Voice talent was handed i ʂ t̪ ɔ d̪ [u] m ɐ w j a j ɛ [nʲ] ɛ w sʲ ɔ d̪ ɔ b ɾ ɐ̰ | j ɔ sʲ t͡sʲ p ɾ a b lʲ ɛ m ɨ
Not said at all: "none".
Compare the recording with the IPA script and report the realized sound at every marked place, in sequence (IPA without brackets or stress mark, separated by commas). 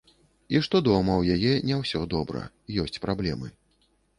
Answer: ɔ, nʲ